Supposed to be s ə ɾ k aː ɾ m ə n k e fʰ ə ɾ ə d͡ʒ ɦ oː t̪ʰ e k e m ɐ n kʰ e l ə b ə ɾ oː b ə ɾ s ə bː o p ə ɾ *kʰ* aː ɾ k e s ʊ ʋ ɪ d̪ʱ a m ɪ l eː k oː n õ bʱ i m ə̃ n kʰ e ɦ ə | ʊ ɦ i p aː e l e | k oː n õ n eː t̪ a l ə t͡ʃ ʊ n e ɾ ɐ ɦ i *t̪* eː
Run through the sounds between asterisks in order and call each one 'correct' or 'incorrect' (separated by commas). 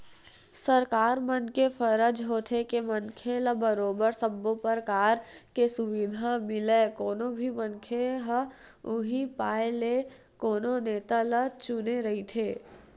incorrect, incorrect